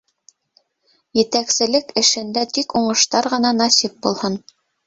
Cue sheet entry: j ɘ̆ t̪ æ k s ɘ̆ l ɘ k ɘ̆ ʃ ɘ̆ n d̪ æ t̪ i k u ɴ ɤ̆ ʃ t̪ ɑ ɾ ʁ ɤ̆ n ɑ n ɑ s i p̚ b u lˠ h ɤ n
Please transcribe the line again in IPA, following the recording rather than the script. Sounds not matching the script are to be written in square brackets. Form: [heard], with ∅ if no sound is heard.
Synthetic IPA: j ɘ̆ t̪ æ k s ɘ̆ l ɘ k ɘ̆ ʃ ɘ̆ n d̪ æ t̪ i k u ɴ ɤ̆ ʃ t̪ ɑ ɾ ʁ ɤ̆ n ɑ n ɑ s i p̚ b u lˠ h ɤ n